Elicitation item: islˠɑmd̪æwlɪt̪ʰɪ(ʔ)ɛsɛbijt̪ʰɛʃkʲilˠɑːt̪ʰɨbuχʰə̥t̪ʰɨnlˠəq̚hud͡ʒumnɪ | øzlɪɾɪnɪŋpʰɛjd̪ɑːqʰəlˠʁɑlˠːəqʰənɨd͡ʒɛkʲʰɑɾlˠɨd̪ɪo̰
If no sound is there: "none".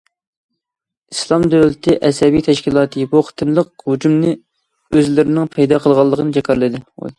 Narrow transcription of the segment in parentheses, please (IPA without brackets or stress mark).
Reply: ʔ